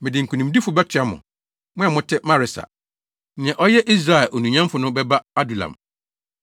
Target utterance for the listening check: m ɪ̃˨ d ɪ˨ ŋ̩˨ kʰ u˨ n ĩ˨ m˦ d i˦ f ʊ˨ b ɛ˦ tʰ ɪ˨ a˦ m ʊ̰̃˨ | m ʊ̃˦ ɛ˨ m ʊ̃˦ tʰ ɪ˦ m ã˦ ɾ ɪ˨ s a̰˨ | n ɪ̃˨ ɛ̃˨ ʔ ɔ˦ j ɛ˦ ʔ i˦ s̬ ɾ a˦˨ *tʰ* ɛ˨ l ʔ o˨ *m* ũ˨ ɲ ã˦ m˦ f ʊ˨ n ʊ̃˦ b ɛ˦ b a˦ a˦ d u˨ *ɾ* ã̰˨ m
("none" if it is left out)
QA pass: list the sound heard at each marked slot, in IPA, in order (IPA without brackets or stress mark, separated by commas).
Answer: none, n, l